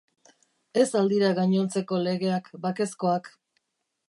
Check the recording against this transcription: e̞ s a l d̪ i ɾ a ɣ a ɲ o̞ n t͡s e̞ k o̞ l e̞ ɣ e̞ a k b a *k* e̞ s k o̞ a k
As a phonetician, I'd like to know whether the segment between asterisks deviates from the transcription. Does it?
no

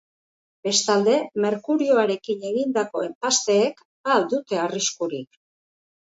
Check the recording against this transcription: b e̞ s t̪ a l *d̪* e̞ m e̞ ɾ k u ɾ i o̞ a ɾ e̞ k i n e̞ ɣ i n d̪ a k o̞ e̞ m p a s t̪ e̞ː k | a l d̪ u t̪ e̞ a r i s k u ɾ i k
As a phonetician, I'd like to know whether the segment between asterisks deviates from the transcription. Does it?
no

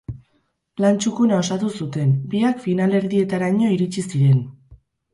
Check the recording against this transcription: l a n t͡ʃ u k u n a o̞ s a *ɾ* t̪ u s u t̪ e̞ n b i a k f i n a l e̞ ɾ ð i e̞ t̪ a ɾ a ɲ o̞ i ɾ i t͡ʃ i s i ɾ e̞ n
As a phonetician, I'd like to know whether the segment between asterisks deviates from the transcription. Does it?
yes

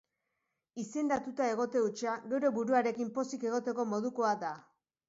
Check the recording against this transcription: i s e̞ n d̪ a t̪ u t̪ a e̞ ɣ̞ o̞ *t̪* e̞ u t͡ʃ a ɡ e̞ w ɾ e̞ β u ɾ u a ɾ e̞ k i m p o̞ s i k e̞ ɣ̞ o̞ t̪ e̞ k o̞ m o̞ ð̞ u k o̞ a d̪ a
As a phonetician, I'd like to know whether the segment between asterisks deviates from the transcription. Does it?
no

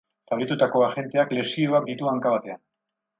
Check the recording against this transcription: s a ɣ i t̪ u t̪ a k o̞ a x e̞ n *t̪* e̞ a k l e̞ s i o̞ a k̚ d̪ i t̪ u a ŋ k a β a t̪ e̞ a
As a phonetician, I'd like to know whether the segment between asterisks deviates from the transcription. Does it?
no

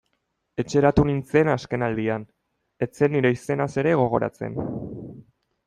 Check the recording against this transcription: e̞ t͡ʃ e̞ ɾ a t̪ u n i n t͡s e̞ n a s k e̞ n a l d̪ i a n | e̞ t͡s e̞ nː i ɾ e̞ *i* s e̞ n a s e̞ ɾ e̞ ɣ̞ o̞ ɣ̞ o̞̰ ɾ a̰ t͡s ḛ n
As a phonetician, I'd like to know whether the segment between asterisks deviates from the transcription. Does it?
no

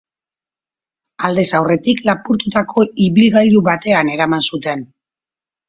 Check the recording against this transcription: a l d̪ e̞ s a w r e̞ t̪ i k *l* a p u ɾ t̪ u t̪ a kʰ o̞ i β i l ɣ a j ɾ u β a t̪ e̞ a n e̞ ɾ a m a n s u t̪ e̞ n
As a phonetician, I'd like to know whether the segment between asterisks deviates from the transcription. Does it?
no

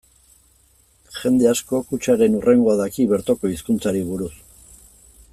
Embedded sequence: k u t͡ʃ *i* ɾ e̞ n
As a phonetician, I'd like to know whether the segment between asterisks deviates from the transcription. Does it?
yes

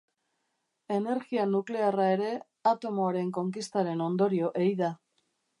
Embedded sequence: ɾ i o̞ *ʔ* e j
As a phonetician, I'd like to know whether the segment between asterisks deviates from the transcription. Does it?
no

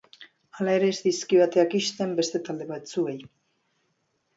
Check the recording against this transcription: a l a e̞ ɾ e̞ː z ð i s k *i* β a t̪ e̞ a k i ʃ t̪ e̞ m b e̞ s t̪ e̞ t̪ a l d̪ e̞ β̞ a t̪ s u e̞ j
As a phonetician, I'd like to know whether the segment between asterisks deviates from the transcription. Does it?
no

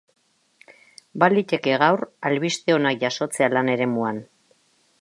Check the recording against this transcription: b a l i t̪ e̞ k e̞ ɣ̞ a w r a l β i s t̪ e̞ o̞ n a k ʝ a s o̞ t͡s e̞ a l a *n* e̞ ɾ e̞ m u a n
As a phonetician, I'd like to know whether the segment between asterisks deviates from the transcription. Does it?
no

